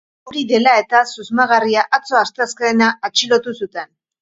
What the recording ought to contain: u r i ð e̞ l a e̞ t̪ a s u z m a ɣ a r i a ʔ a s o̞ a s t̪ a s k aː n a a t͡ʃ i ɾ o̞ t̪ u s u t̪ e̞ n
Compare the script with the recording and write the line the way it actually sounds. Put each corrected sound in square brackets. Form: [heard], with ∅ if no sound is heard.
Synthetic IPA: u [ɾ] i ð e̞ l a e̞ t̪ a s u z m a ɣ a r i a ʔ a [t͡s] o̞ a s t̪ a s k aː n a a t͡ʃ i [l] o̞ t̪ u s u t̪ e̞ n